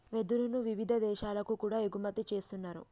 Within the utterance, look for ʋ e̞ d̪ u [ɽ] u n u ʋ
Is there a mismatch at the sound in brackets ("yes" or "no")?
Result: yes